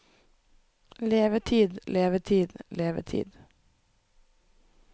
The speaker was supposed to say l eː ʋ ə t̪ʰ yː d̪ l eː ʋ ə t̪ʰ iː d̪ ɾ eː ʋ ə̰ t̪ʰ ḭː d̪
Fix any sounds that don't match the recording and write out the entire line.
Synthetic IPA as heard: l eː ʋ ə t̪ʰ iː d̪ l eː ʋ ə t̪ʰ iː d̪ l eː ʋ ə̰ t̪ʰ ḭː d̪